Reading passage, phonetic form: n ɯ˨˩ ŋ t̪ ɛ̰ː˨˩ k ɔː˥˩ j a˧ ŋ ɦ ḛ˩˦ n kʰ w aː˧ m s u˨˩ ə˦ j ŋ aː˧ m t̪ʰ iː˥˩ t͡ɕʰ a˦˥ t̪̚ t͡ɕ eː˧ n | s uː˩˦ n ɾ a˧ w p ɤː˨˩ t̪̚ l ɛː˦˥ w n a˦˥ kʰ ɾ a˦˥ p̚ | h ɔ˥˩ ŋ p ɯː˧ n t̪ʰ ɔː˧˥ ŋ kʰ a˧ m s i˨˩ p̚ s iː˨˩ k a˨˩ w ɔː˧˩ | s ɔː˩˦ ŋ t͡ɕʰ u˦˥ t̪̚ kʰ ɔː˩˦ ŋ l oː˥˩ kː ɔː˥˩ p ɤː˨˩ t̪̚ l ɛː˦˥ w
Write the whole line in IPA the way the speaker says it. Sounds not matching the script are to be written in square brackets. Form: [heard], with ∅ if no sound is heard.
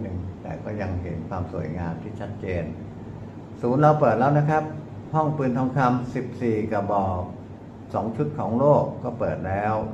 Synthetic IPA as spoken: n ɯ˨˩ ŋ t̪ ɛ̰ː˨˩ k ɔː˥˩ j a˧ ŋ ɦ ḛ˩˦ n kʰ w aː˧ m s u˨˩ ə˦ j ŋ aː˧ m t̪ʰ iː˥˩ t͡ɕʰ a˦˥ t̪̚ t͡ɕ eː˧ n | s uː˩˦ n ɾ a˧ w p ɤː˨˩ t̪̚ l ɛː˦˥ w n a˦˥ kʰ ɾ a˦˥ p̚ | h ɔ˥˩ ŋ p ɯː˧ n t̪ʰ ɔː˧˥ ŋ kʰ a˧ m s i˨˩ p̚ s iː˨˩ k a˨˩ [b] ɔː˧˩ | s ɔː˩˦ ŋ t͡ɕʰ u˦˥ t̪̚ kʰ ɔː˩˦ ŋ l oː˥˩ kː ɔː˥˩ p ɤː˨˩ t̪̚ l ɛː˦˥ w